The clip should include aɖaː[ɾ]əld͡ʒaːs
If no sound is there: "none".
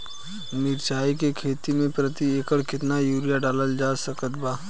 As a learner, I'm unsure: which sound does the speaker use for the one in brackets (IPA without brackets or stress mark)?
l